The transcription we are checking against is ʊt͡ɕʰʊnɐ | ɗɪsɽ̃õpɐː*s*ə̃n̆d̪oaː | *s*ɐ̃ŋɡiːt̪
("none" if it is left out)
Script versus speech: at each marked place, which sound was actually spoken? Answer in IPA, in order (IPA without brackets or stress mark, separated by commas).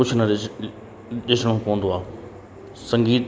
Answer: none, s